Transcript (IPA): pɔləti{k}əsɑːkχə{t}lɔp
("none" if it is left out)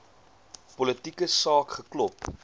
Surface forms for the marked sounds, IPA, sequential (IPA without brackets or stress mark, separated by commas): k, k